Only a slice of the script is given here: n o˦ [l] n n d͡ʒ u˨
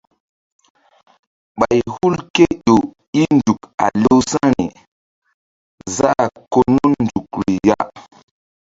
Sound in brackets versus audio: incorrect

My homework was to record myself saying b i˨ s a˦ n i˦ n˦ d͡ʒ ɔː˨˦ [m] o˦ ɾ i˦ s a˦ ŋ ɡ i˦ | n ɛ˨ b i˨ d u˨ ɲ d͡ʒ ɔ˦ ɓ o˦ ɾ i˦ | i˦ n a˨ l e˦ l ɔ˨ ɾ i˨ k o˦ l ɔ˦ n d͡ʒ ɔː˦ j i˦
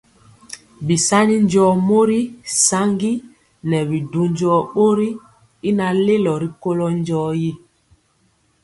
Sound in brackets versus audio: correct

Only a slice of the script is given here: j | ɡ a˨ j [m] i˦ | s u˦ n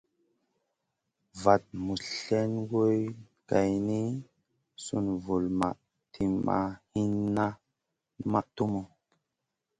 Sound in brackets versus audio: incorrect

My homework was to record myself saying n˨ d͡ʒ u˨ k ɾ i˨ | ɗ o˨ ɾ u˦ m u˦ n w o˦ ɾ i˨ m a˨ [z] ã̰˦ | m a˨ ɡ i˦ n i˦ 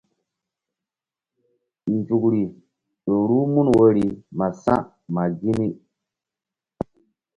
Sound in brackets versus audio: incorrect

